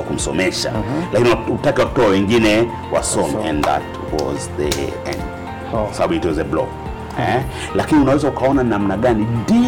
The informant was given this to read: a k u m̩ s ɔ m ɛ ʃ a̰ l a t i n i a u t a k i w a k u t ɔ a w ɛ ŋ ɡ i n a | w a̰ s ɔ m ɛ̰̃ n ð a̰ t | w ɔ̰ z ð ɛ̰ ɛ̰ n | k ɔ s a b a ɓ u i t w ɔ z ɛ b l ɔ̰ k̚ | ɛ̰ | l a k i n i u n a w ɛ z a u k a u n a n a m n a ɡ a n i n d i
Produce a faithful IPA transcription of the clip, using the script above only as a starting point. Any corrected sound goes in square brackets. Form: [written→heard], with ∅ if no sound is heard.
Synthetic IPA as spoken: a k u m̩ s ɔ m ɛ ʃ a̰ l a [t→k] i n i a u t a k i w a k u t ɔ a w ɛ ŋ ɡ i n [a→ɛ] | w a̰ s ɔ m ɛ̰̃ n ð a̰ t | w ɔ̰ z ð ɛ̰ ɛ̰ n | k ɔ s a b a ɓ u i t w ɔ z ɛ b l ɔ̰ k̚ | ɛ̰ | l a k i n i u n a w ɛ z a u k a [u→ɔ] n a n a m n a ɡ a n i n d i